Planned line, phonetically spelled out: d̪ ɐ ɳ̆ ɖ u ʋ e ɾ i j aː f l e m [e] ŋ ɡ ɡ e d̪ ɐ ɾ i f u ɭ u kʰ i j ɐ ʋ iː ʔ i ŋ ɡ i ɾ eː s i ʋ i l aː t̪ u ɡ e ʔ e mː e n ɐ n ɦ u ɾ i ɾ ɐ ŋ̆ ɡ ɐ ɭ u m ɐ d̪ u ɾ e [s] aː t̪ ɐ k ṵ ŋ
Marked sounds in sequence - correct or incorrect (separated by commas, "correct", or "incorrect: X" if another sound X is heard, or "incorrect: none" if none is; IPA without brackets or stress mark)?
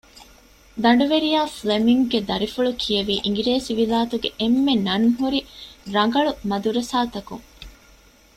incorrect: i, correct